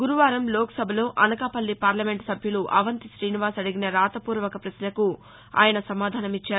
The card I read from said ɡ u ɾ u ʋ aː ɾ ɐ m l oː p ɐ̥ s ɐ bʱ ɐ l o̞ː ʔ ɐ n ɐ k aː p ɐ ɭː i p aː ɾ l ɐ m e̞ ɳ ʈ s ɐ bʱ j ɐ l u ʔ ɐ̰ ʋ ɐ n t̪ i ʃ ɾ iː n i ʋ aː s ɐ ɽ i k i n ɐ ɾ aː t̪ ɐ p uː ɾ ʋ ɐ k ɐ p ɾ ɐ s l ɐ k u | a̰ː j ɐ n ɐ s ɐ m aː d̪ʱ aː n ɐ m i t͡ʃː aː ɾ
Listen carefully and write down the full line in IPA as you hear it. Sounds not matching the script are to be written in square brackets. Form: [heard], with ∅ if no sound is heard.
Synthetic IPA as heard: ɡ u ɾ u ʋ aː ɾ ɐ m l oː [k] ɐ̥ s ɐ bʱ ɐ l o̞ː ʔ ɐ n ɐ k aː p ɐ [lː] i p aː ɾ l ɐ m e̞ ɳ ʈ s ɐ bʱ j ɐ l u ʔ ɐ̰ ʋ ɐ n t̪ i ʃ ɾ iː n i ʋ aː s ɐ ɽ i [ɡ] i n ɐ ɾ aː t̪ ɐ p uː ɾ ʋ ɐ k ɐ p ɾ ɐ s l ɐ k u | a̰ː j ɐ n ɐ s ɐ m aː d̪ʱ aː n ɐ m i t͡ʃː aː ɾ